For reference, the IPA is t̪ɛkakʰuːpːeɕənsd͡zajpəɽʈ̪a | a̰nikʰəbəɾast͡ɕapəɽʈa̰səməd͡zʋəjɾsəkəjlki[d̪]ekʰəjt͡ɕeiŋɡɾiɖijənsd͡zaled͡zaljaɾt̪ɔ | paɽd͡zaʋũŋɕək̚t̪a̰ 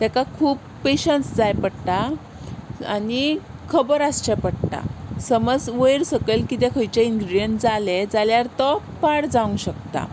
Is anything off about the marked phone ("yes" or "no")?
yes